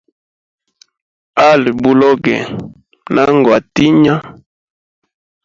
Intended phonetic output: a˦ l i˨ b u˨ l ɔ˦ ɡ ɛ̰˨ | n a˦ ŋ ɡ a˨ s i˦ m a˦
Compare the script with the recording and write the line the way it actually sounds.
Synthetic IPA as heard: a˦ l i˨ b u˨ l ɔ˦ ɡ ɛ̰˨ | n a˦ ŋ ɡ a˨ t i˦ ɲ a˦

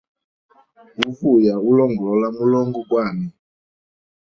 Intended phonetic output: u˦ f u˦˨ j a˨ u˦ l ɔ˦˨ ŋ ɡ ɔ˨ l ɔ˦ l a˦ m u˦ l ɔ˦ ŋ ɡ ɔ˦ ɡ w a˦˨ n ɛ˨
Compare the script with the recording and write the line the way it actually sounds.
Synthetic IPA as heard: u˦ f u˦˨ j a˨ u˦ l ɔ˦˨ ŋ ɡ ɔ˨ l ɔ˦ l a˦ m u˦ l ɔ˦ ŋ ɡ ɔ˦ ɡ w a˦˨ n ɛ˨

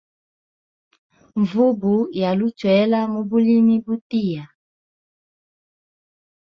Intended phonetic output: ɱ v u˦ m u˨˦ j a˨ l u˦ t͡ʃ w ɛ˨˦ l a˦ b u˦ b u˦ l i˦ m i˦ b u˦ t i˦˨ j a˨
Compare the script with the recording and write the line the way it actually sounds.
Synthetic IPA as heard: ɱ v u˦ b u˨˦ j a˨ l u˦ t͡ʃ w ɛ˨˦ l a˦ m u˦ b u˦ l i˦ m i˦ b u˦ t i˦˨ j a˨

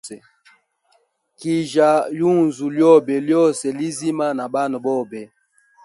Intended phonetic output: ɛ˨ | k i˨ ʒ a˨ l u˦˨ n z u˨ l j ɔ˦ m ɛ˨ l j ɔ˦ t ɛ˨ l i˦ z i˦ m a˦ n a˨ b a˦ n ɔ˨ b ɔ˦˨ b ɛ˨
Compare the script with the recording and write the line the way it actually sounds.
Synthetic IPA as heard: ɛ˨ | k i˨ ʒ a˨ l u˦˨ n z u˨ l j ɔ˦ b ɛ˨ l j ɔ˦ s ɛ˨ l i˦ z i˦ m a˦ n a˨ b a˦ n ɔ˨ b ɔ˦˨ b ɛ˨

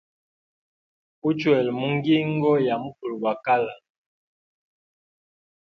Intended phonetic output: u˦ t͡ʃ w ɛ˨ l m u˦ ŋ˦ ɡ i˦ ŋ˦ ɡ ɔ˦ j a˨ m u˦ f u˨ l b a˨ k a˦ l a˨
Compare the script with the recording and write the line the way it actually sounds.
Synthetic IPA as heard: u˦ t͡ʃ w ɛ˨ l m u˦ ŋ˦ ɡ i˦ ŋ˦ ɡ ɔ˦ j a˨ m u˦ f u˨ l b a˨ k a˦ l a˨

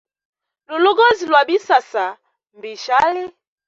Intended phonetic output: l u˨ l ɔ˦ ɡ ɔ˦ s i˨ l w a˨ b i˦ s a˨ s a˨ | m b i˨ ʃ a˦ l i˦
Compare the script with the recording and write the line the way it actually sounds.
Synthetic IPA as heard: l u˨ l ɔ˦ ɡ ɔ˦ z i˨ l w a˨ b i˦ s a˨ s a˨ | m b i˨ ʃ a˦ l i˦

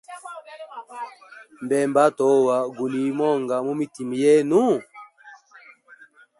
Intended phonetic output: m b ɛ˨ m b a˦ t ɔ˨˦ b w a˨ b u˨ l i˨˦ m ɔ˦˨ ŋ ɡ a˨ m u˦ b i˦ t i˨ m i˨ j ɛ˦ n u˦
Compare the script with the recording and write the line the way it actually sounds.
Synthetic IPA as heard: m b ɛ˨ m b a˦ t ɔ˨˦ w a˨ ɡ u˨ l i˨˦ m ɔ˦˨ ŋ ɡ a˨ m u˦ m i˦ t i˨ m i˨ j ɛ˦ n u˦

